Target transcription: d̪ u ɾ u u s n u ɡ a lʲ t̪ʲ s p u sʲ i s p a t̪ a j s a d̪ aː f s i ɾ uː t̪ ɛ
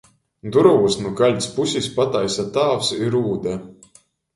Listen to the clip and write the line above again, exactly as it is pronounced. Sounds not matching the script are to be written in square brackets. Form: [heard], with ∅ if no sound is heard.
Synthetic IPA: d̪ u ɾ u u s n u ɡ a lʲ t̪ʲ s p u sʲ i s p a t̪ a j s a [t̪] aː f s i ɾ uː [d̪] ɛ